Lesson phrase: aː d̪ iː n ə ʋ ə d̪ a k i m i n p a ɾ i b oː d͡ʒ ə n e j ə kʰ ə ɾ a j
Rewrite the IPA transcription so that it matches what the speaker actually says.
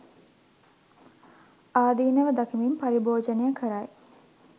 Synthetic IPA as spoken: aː d̪ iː n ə ʋ ə d̪ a k i m i m p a ɾ i b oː d͡ʒ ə n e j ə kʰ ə ɾ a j